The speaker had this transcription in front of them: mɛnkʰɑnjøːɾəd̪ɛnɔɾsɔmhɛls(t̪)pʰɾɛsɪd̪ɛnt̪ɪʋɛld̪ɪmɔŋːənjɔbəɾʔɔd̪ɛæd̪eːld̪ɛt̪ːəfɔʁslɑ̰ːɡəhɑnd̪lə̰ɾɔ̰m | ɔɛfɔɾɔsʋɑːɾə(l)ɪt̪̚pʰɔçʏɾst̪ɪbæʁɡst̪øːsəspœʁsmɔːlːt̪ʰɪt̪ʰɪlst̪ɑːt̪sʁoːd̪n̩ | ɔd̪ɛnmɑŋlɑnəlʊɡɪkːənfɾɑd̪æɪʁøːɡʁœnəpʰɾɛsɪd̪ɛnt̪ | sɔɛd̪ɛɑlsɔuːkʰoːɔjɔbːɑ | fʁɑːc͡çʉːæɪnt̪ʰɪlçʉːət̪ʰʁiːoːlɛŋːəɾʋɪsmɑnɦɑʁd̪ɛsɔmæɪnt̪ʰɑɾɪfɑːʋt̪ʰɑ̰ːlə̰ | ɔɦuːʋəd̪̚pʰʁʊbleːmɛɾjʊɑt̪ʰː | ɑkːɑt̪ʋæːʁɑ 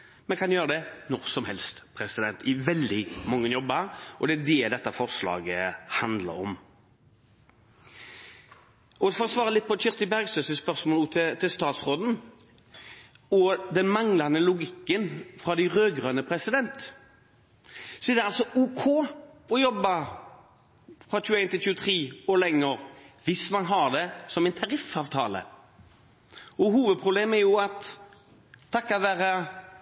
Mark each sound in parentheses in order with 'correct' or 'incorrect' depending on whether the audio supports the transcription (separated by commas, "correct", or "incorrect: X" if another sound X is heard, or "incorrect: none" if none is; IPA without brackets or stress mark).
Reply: correct, correct